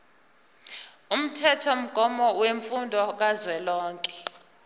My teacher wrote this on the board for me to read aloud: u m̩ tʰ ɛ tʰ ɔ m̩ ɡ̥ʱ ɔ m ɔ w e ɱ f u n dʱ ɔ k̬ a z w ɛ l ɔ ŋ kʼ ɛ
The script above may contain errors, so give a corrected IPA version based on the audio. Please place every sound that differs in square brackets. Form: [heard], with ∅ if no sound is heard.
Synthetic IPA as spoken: u m̩ tʰ ɛ tʰ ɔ m̩ ɡ̥ʱ ɔ m ɔ w e ɱ f u n dʱ ɔ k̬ a z w ɛ l [ɔː] ŋ kʼ ɛ